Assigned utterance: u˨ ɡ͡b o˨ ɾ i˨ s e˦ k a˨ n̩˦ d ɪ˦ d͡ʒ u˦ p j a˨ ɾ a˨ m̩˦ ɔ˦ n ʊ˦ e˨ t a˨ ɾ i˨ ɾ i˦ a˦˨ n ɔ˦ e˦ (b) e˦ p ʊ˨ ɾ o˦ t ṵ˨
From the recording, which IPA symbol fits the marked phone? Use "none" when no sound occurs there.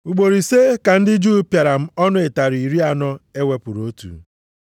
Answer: w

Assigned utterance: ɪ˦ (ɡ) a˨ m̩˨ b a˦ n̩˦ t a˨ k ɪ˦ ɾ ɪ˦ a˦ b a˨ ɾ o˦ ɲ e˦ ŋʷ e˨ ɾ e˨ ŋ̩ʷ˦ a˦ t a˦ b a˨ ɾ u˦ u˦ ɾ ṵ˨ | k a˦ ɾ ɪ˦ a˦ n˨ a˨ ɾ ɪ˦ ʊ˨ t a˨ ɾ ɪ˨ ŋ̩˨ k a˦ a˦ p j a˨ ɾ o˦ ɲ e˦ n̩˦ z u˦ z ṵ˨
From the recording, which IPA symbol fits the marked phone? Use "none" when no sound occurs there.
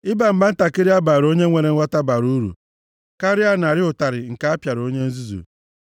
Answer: b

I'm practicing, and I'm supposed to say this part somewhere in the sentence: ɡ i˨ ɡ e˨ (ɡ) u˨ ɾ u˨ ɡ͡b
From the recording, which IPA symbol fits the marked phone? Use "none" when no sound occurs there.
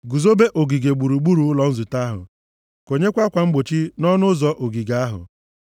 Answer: ɡ͡b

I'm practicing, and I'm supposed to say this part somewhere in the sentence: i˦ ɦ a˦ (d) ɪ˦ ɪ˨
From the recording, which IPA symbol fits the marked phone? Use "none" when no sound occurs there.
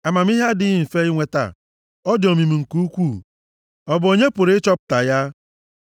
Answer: d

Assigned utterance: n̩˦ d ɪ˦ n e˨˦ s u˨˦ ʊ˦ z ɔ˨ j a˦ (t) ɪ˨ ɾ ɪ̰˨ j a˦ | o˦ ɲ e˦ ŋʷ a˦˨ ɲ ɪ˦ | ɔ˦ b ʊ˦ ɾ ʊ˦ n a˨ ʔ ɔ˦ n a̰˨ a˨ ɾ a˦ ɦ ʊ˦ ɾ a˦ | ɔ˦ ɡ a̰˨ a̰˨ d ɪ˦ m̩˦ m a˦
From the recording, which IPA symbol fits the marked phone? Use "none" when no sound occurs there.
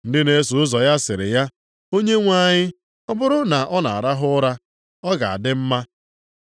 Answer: s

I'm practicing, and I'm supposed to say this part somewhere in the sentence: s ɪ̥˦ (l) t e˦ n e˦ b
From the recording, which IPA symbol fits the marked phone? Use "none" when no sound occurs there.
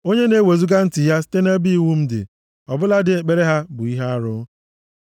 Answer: none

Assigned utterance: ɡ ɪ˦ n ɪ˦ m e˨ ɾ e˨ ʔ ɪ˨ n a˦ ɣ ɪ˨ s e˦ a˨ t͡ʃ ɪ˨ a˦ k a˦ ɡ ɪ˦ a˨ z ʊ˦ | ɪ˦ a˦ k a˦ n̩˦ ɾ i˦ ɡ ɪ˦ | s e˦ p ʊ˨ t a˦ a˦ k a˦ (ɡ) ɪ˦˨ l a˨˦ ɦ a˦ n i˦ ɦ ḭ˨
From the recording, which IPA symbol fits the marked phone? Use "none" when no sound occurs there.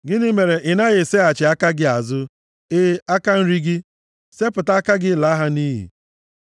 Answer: ɡ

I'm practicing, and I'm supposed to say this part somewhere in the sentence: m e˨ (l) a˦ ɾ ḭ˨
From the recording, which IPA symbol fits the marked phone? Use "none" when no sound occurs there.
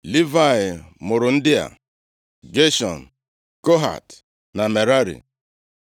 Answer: ɾ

